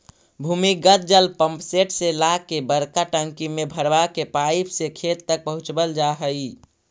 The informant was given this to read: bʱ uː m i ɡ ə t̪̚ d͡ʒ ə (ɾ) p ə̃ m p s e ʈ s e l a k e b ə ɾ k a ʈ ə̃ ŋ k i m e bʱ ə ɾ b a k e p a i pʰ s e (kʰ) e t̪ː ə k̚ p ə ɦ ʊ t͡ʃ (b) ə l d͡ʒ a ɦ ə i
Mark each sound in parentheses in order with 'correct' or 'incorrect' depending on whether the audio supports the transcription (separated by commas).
incorrect, correct, correct